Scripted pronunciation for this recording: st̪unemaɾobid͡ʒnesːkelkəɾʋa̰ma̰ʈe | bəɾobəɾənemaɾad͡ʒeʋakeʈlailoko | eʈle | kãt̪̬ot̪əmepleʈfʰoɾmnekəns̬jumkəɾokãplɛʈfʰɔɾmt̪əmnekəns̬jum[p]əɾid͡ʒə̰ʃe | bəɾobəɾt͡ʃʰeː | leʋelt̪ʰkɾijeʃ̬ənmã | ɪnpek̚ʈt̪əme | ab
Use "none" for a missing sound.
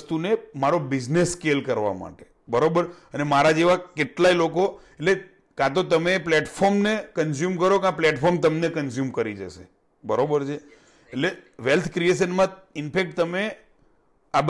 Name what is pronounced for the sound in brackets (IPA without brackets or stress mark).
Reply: k